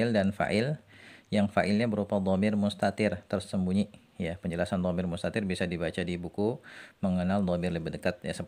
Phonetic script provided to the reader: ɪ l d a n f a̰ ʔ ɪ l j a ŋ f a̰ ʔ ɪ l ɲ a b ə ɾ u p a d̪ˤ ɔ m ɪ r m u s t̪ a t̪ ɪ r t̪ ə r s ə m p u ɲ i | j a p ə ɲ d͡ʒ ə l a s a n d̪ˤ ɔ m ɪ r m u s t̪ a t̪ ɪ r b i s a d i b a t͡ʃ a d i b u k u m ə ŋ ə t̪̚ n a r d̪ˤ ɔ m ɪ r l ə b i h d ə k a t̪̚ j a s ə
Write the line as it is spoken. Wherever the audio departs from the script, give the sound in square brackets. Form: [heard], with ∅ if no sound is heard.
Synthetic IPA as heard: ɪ l d a n f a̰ ʔ ɪ l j a ŋ f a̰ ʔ ɪ l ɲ a b ə ɾ u p a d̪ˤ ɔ m ɪ r m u s t̪ a t̪ ɪ r t̪ ə r s ə m [b] u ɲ i | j a p ə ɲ d͡ʒ ə l a s a n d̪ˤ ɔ m ɪ r m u s t̪ a t̪ ɪ r b i s a d i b a t͡ʃ a d i b u k u m ə ŋ ə [∅] n a [l] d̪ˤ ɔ m ɪ r l ə b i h d ə k a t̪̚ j a s ə